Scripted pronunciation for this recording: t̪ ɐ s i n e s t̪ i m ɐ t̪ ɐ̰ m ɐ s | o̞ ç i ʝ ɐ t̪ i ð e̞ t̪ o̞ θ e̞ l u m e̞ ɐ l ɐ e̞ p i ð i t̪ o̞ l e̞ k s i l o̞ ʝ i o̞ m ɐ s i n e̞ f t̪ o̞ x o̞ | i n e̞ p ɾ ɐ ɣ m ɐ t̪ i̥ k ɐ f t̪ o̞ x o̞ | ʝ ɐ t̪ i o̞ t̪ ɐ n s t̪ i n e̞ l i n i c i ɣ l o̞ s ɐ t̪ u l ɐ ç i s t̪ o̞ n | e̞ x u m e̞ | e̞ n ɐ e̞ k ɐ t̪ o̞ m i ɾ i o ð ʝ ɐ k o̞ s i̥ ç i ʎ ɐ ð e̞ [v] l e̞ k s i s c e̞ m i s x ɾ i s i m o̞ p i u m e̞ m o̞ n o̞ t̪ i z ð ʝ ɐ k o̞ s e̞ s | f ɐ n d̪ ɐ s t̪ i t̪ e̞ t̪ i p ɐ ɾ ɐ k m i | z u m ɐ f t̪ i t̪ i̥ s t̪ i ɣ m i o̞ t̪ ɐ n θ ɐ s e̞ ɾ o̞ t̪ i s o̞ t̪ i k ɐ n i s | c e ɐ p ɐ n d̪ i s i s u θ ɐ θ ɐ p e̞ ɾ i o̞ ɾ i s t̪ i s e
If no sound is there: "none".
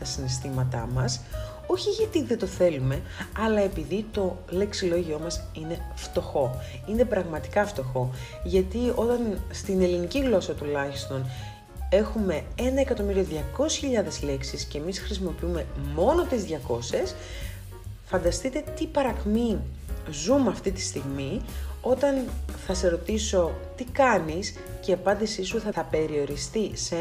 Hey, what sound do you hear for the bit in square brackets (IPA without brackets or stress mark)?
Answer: z